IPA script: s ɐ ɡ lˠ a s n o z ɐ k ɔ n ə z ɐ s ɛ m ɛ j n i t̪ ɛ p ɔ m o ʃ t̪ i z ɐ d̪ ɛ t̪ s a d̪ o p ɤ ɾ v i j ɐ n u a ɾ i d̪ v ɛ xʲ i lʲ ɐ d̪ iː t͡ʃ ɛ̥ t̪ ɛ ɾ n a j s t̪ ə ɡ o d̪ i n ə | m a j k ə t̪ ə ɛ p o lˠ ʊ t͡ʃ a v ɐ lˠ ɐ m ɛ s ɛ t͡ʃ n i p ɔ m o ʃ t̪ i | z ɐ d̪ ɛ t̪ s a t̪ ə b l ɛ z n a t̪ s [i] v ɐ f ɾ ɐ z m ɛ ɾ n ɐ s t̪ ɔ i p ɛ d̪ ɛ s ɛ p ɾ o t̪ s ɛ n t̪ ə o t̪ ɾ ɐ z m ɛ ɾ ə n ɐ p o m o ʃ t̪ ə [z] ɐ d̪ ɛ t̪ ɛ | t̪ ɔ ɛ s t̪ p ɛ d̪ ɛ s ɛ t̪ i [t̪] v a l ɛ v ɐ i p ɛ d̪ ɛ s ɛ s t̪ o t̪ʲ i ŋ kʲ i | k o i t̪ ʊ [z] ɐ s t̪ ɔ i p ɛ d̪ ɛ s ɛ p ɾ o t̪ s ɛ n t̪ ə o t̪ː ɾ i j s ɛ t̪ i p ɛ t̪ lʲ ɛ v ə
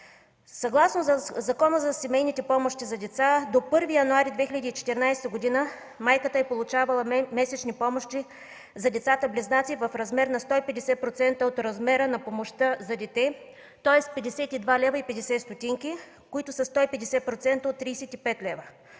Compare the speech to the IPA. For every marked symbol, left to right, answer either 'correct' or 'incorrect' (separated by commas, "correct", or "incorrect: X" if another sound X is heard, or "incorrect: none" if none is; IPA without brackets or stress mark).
correct, correct, incorrect: d̪, incorrect: s